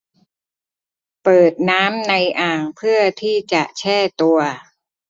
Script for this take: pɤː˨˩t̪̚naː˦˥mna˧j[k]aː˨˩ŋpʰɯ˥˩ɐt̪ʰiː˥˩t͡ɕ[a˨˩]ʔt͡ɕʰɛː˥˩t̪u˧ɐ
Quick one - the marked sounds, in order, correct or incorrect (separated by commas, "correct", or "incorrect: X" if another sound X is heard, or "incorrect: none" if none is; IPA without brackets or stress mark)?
incorrect: ʔ, correct